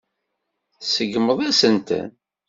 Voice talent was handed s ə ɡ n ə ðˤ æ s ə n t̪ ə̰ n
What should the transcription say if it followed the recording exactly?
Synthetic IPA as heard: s ə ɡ m ə ðˤ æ s ə n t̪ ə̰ n